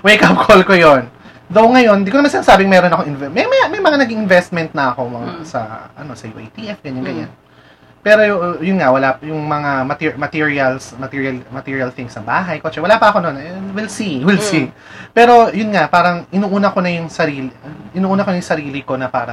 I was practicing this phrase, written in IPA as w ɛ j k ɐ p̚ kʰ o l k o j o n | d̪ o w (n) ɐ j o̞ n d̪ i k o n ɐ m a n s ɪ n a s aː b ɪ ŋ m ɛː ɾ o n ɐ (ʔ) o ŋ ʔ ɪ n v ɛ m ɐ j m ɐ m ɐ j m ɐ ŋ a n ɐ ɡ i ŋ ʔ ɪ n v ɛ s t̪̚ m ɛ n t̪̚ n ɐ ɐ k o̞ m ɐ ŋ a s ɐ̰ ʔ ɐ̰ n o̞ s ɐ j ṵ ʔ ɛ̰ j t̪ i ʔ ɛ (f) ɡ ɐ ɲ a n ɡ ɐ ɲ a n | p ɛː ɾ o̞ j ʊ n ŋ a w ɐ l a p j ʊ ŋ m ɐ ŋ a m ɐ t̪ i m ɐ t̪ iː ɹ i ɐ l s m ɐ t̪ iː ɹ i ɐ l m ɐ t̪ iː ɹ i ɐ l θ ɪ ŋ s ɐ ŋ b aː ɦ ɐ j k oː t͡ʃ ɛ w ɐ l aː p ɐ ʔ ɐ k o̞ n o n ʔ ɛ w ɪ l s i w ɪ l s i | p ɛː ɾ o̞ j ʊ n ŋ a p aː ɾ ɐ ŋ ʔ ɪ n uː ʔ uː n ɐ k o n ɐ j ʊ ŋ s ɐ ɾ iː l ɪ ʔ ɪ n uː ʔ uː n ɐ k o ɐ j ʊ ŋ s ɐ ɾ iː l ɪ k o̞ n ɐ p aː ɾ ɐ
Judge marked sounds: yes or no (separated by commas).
no, no, yes